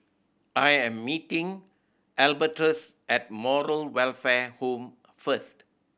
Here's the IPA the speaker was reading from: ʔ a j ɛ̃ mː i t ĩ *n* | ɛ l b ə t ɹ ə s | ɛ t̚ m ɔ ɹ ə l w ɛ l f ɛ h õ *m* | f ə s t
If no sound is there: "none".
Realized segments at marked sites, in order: ŋ, m

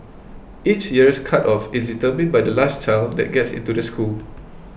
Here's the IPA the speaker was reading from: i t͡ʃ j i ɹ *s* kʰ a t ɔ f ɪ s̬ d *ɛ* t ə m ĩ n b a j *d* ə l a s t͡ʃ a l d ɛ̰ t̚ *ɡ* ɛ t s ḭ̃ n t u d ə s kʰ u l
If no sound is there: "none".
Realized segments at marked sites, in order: s, i, d, ɡ

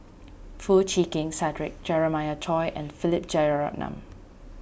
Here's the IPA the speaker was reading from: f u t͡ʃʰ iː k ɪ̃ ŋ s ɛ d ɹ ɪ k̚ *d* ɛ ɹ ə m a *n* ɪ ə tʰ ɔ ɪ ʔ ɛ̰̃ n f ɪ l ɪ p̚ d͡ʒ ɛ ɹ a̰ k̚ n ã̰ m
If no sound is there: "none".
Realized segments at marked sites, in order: d͡ʒ, none

